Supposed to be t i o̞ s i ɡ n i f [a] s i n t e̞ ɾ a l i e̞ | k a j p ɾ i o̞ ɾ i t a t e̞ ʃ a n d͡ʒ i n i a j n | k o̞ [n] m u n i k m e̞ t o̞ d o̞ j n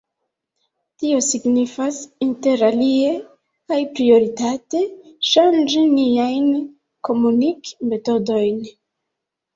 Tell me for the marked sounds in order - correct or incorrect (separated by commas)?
correct, incorrect